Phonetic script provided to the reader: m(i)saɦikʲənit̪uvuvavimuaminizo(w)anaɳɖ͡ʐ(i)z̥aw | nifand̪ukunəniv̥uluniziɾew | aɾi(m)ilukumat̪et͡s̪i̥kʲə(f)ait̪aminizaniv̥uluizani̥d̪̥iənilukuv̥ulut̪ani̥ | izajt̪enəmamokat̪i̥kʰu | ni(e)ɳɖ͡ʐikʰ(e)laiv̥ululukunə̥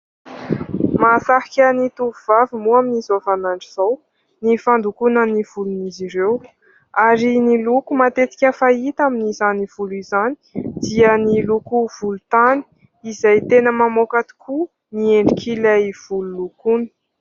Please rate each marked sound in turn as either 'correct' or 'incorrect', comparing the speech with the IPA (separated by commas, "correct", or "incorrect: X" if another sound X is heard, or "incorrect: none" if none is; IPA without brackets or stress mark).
incorrect: a, incorrect: v, correct, incorrect: n, correct, correct, incorrect: i